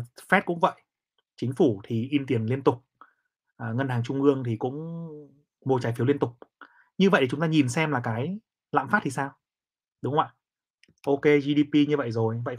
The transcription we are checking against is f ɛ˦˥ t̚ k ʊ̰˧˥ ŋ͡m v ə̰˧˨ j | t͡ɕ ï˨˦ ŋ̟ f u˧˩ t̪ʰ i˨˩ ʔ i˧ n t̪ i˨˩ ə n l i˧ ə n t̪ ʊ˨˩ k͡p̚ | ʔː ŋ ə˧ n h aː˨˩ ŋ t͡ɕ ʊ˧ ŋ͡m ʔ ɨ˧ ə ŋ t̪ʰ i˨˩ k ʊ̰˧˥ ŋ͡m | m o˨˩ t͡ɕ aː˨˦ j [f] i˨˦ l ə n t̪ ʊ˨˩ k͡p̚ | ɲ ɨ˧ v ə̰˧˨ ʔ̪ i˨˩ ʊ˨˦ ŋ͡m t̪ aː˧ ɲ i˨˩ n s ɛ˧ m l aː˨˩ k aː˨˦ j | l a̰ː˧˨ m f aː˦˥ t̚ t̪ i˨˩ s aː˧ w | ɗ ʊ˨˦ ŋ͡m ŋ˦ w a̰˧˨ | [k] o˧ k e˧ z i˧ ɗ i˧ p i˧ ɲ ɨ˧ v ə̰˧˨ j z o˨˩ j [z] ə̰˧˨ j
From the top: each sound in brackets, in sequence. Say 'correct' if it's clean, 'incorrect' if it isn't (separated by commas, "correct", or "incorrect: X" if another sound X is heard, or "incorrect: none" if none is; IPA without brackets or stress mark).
correct, incorrect: ʔ, incorrect: v